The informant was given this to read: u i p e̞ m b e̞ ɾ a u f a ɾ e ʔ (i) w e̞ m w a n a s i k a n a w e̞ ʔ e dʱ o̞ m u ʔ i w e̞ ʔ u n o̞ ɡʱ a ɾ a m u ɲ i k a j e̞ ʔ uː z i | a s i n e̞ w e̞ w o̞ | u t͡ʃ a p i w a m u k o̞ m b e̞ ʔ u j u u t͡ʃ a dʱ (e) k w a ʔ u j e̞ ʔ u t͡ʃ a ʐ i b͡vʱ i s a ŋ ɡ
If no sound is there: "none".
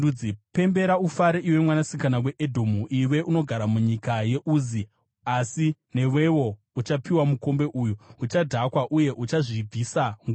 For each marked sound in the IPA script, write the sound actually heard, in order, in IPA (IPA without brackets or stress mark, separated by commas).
i, a